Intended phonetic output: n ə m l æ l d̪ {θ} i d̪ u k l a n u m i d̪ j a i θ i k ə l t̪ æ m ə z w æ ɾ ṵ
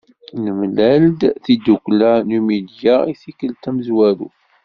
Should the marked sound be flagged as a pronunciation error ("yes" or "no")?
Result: no